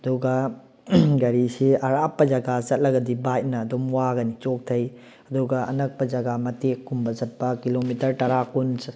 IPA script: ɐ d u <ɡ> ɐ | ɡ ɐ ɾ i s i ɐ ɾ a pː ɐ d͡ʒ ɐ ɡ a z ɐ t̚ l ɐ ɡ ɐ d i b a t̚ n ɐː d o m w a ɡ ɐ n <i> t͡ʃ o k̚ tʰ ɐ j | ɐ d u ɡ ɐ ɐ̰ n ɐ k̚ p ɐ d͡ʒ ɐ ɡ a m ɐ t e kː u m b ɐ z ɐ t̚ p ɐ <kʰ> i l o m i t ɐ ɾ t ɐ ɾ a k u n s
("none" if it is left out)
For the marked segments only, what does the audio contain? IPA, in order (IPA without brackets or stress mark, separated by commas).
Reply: ɡ, i, k